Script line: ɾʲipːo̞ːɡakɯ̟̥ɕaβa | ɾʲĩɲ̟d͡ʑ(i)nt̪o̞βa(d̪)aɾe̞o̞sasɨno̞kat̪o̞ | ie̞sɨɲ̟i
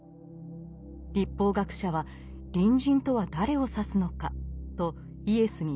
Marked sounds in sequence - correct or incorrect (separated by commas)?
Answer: incorrect, correct